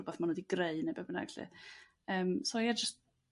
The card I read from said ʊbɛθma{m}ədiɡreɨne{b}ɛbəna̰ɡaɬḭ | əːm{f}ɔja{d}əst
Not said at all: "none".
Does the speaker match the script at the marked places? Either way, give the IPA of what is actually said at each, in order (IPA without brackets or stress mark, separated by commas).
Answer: n, b, s, d͡ʒ